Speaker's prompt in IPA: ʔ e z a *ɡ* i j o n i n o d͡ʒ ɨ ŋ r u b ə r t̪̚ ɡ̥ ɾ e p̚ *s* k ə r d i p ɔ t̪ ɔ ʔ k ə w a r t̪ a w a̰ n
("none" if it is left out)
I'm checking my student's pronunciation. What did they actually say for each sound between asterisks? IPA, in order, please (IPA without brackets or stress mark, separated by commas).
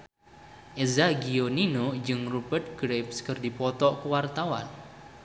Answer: ɡ, s